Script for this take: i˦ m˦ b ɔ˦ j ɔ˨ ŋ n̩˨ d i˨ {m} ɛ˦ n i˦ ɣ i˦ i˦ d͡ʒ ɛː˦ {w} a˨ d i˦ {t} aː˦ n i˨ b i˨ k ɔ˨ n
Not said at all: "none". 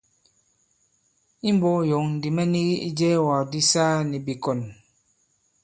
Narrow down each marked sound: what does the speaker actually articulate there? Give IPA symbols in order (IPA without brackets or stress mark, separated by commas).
m, w, s